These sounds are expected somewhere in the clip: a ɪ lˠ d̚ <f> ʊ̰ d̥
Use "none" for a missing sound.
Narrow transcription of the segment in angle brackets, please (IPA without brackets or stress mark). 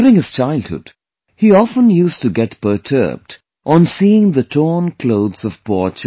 h